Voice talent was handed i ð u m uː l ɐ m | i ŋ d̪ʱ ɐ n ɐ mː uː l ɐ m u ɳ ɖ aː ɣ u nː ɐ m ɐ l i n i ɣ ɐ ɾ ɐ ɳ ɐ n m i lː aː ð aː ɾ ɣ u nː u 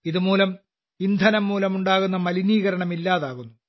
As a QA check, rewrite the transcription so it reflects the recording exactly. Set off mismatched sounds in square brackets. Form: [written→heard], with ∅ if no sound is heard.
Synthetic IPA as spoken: i ð u m uː l ɐ m | i [ŋ→n] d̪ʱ ɐ n ɐ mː uː l ɐ m u ɳ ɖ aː ɣ u nː ɐ m ɐ l i n [i→iː] ɣ ɐ ɾ ɐ ɳ ɐ [n→∅] m i lː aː ð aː [ɾ→∅] ɣ u nː u